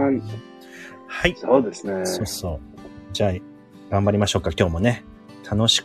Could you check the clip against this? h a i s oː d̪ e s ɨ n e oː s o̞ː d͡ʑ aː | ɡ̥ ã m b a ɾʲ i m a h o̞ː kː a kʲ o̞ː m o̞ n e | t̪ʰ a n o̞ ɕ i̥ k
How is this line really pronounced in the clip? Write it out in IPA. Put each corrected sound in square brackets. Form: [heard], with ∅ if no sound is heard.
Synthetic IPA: h a i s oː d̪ e s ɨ n e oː s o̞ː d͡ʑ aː | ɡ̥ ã m b a ɾʲ i m a [ɕ] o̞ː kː a kʲ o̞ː m o̞ n e | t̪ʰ a n o̞ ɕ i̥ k